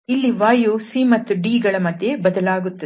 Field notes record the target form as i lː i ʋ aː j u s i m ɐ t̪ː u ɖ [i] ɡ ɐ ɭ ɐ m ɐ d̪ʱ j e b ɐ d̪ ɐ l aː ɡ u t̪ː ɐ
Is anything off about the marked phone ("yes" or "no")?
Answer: yes